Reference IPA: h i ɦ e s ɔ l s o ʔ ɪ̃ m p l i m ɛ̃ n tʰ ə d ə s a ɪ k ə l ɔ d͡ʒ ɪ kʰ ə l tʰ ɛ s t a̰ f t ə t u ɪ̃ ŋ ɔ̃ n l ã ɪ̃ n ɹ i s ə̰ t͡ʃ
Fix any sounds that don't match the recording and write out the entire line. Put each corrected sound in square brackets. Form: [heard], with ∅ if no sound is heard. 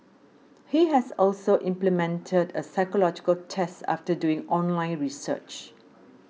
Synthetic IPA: h i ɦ [ɛ] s ɔ l s o ʔ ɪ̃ m p l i m ɛ̃ n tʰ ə d ə s a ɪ k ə l ɔ d͡ʒ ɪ [k] ə l tʰ ɛ s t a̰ f t ə [d] u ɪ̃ ŋ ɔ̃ n l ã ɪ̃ n ɹ i s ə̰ t͡ʃ